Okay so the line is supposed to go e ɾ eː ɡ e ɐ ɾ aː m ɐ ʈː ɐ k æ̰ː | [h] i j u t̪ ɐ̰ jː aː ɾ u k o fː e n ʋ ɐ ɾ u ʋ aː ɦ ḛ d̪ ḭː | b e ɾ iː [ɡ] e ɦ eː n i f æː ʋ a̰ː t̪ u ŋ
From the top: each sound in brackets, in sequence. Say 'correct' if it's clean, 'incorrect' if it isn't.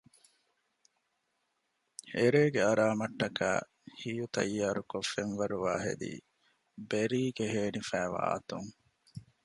correct, correct

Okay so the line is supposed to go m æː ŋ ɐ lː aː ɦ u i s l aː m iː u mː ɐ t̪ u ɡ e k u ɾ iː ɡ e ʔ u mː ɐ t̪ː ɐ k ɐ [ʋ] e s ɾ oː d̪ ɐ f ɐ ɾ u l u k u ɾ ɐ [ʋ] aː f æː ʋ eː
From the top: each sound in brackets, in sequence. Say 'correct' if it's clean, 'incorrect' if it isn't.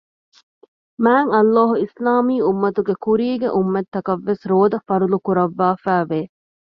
incorrect: ʋː, incorrect: ʋː

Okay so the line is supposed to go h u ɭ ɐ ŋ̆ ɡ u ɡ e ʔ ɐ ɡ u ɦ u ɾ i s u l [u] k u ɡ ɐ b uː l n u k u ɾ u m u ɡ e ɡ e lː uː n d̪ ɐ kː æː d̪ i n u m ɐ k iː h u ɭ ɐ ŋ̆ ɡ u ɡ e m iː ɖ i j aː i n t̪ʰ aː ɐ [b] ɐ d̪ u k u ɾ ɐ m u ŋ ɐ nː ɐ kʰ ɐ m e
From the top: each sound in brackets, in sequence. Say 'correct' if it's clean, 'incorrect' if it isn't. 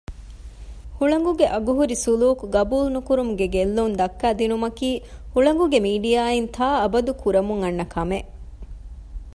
incorrect: uː, correct

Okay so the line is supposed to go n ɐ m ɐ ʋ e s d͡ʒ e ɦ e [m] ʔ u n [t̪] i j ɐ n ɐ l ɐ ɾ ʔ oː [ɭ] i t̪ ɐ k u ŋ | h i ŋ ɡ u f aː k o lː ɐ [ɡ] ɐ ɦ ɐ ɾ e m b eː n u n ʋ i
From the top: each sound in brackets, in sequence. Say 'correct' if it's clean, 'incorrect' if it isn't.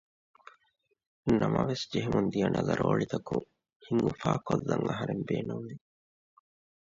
correct, incorrect: d̪, correct, incorrect: ŋ

